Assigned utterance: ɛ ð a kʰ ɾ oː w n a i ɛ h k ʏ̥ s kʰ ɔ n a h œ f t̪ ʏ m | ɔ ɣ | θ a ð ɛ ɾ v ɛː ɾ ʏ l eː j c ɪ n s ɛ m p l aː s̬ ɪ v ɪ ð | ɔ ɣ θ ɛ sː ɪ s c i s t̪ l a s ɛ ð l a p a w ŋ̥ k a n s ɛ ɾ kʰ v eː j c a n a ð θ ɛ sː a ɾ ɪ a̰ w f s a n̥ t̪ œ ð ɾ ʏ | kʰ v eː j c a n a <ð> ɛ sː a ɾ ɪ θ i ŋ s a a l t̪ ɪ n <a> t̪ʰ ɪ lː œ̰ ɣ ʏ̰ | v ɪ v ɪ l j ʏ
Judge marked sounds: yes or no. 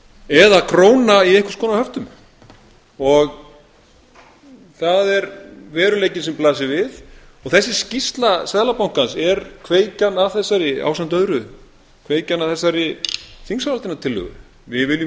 no, yes

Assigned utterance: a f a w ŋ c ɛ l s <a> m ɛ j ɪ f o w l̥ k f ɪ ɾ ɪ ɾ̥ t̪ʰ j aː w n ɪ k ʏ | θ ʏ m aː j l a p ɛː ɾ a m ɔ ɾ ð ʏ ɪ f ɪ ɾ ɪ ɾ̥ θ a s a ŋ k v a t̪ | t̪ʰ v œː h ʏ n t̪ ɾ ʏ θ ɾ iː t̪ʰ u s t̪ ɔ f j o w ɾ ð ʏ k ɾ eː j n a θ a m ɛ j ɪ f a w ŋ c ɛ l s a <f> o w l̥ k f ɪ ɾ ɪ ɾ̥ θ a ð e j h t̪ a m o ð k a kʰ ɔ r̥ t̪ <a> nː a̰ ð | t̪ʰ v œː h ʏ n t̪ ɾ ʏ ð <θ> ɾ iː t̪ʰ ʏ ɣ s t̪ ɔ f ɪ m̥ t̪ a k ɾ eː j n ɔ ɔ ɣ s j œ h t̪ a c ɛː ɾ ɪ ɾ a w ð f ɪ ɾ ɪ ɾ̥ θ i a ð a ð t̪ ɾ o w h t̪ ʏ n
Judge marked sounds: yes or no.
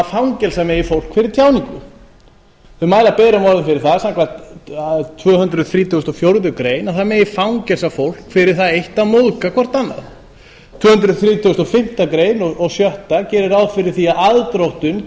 yes, yes, yes, yes

